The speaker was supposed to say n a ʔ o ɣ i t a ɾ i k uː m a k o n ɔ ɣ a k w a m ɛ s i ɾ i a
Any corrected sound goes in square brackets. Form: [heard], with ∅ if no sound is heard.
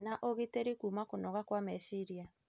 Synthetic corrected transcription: n a ʔ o ɣ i t [e] ɾ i k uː m a k o n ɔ ɣ a k w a m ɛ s i ɾ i a